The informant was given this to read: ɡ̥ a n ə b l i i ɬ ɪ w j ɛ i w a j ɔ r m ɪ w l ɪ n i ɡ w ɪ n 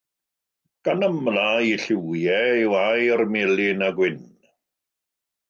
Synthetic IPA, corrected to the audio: ɡ̥ a n ə m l a i ɬ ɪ w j ɛ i w a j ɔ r m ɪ l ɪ n a ɡ w ɪ n